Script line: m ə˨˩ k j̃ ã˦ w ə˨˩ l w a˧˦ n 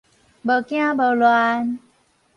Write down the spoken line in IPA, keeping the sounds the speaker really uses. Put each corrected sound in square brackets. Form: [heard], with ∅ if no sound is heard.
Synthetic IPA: [b] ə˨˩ k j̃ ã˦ [b] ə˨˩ l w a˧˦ n

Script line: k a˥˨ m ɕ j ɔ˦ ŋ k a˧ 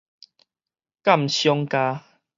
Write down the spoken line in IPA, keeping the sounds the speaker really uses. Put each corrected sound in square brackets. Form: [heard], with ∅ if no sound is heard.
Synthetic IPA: k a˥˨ m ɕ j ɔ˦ ŋ k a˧

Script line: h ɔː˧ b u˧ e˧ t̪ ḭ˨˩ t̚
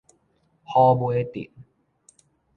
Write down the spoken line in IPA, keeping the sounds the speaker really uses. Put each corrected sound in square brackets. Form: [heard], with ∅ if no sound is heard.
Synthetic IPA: h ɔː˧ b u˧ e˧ t̪ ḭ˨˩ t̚

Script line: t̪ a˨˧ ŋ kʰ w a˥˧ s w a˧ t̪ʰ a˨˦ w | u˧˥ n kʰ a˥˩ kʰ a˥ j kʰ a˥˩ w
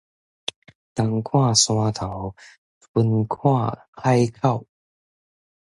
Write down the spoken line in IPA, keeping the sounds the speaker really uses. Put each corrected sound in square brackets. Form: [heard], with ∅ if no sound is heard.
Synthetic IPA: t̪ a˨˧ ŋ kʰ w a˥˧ s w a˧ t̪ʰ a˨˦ w | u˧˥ n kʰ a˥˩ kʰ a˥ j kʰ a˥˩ w

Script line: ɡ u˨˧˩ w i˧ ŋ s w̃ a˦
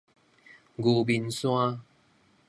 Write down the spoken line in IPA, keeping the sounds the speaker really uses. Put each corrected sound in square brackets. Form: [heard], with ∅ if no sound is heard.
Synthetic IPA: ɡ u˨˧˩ [b] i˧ [n] s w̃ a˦

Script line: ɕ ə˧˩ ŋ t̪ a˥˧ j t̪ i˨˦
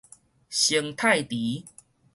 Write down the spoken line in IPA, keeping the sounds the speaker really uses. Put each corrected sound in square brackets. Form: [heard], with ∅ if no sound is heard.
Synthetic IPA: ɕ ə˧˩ ŋ [t̪ʰ] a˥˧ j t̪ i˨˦

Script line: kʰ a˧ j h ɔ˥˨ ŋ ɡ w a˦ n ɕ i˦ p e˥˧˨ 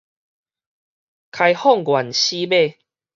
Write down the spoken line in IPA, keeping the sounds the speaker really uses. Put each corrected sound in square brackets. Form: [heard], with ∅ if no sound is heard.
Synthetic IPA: kʰ a˧ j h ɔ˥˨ ŋ ɡ w [a˨˩] n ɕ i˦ [b] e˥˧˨

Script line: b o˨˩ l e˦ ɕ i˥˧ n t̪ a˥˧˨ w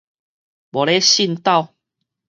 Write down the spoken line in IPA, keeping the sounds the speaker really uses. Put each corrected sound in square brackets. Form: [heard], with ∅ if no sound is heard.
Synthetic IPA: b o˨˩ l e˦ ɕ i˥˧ n t̪ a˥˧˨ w

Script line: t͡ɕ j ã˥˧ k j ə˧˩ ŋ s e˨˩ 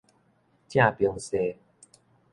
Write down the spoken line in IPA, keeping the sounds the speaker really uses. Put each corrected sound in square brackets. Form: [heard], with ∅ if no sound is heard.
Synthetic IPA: t͡ɕ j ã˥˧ [p] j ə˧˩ ŋ s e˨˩

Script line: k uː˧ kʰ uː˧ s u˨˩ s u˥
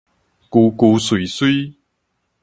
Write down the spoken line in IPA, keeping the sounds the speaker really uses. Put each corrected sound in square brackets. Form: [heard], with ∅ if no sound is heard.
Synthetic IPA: k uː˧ [k] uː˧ s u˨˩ s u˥

